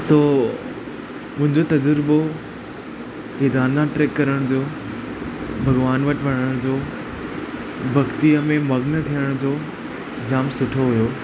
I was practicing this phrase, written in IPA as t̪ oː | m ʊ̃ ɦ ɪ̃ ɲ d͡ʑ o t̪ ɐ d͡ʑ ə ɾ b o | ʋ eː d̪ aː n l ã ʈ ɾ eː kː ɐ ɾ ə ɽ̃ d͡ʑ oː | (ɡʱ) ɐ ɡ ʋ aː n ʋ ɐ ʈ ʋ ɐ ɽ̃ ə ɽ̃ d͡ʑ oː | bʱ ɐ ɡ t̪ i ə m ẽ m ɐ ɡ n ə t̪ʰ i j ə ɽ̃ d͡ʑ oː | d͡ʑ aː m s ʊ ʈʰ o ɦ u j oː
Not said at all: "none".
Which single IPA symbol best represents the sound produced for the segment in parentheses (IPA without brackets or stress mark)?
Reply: bʱ